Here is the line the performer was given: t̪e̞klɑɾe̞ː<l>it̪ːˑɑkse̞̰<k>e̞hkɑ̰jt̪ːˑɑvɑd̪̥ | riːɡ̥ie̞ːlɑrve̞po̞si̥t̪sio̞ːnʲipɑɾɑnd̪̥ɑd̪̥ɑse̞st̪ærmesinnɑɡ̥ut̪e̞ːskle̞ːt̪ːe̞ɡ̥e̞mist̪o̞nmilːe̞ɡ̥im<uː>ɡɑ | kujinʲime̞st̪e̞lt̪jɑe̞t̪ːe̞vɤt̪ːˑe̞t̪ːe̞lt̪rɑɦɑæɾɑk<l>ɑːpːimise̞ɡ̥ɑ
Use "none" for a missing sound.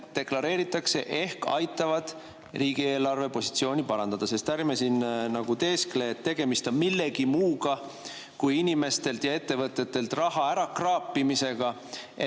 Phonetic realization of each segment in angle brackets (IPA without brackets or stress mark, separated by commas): ɾ, ʔ, uː, r